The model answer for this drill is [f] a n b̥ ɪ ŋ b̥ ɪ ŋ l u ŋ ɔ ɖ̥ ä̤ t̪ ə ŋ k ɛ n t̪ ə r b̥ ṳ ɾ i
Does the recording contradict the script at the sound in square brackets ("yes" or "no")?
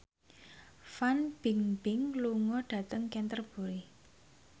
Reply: no